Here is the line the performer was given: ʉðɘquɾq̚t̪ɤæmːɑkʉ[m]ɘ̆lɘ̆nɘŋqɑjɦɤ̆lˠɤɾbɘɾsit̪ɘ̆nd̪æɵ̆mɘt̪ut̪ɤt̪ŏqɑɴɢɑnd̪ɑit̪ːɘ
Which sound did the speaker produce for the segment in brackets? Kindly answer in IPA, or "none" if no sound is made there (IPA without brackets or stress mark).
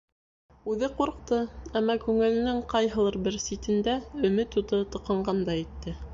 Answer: ŋ